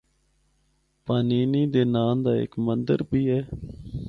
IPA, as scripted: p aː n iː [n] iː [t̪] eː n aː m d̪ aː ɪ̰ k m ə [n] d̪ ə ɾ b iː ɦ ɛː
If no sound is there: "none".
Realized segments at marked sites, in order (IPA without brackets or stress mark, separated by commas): n, d̪, n